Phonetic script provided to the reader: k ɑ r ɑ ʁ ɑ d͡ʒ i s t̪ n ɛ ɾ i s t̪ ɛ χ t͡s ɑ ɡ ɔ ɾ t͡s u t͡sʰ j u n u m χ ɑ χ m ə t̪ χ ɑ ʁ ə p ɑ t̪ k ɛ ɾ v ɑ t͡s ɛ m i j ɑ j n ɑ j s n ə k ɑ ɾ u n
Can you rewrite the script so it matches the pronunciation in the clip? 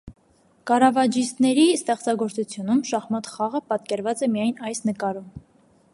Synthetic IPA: k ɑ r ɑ v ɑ d͡ʒ i s t̪ n ɛ ɾ i s t̪ ɛ χ t͡s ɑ ɡ ɔ ɾ t͡s u t͡sʰ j u n u m ʃ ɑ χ m ɑ t̪ χ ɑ ʁ ə p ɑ t̪ k ɛ ɾ v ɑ t͡s ɛ m i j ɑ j n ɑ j s n ə k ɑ ɾ u m